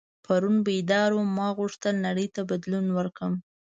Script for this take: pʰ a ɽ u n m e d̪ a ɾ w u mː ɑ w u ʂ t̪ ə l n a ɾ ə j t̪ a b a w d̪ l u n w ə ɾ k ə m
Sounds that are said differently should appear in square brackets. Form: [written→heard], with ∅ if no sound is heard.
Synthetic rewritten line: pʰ a [ɽ→ɾ] u n [m→b] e d̪ [a→ɑ] ɾ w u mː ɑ [w→ɣ] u ʂ t̪ ə l n a [ɾ→ɽ] ə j t̪ a b a [w→∅] d̪ l u n w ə ɾ k ə m